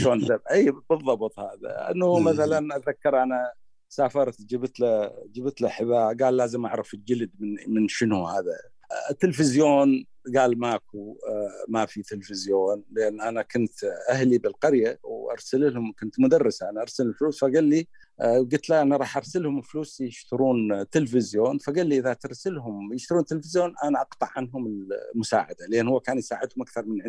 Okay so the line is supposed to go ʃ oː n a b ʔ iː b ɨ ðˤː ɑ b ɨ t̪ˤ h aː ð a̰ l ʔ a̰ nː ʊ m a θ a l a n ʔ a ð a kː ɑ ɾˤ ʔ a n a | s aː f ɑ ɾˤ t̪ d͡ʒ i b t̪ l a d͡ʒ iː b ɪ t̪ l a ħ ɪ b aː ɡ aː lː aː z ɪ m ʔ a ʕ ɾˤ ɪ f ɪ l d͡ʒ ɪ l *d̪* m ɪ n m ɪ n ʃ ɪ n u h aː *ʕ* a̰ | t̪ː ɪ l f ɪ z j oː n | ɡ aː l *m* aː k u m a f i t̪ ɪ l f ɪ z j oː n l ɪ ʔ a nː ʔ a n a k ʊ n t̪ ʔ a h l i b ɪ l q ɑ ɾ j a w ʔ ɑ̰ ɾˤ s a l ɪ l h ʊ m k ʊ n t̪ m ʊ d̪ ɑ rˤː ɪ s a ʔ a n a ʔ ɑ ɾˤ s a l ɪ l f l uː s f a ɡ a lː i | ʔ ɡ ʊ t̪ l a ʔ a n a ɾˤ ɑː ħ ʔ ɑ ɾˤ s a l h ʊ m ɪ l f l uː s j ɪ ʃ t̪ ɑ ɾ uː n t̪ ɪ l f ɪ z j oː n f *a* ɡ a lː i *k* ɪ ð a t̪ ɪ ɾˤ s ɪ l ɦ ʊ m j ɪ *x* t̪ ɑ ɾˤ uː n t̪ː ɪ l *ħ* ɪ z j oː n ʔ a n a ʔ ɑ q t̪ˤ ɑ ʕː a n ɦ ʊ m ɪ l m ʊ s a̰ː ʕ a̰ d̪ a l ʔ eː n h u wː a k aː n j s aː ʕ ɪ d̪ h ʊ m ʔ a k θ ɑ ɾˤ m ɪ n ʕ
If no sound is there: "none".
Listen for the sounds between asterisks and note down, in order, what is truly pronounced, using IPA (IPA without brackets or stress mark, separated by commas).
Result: d̪, ð, m, a, ʔ, ʃ, f